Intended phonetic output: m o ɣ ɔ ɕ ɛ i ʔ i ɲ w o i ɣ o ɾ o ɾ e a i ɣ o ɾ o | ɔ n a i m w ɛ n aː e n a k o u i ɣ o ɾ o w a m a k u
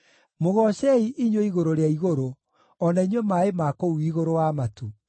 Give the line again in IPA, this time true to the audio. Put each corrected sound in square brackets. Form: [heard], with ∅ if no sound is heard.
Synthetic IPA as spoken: m o ɣ ɔ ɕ ɛ i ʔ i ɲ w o i ɣ o ɾ o ɾ e a i ɣ o ɾ o | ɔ n a i [ɲ] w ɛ [m] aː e [m] a k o u i ɣ o ɾ o w a m a [t] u